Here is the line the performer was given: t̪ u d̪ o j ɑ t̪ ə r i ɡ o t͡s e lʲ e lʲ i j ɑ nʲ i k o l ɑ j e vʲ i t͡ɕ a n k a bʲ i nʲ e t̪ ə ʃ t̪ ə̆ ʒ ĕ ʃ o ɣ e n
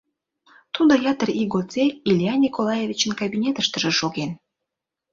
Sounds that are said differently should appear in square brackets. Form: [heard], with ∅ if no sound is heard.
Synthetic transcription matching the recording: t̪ u d̪ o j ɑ t̪ ə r i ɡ o t͡s e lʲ [i] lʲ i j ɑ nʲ i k o l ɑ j e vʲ i t͡ɕ [ə] n k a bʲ i nʲ e t̪ ə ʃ t̪ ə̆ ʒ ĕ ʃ o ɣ e n